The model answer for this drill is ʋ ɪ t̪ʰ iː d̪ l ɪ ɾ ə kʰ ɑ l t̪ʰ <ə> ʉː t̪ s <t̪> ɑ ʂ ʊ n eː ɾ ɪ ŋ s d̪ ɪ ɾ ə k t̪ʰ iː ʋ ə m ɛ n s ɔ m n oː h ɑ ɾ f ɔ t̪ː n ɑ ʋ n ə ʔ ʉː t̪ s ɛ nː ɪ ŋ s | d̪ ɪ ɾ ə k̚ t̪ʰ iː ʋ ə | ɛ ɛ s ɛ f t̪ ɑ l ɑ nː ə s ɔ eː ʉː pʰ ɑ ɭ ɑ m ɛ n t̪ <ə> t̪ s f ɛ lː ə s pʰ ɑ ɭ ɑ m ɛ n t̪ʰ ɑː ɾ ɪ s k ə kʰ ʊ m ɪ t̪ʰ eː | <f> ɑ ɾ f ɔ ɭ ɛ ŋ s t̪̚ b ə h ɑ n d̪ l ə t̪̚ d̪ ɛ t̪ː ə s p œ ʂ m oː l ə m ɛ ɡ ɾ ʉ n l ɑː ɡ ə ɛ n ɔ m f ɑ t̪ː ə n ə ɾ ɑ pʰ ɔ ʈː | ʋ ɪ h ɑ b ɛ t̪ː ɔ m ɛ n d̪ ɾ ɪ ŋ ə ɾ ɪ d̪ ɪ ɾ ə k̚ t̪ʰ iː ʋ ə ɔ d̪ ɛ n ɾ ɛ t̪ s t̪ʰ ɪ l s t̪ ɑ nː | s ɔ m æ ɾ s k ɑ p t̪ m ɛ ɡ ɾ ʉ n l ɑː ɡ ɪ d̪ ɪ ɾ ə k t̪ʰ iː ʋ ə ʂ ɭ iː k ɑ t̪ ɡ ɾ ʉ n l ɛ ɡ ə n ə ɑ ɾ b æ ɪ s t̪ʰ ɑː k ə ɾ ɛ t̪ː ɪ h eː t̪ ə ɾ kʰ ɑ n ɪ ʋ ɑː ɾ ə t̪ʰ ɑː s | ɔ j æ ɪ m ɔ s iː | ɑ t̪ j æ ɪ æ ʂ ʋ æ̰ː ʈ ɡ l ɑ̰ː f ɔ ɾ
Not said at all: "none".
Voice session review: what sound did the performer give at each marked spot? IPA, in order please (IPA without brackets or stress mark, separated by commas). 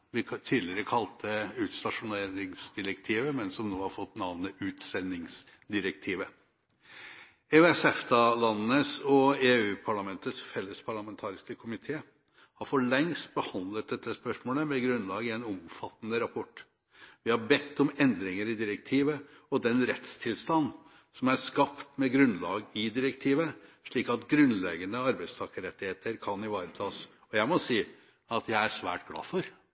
ə, t̪, ə, h